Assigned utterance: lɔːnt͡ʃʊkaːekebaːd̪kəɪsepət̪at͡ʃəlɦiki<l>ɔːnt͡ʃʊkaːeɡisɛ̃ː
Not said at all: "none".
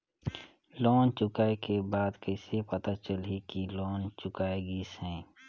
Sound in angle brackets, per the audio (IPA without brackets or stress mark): l